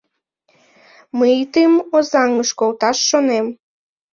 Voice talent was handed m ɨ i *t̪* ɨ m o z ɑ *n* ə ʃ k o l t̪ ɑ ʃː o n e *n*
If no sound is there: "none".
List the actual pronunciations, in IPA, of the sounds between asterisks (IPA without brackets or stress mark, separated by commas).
t̪, ŋ, m